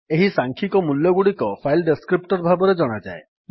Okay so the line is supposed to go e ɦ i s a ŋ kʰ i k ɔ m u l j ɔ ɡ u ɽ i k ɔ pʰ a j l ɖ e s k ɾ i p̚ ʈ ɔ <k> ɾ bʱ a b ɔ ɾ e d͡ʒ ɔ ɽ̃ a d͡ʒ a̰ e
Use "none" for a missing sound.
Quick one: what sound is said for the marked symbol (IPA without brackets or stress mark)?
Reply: none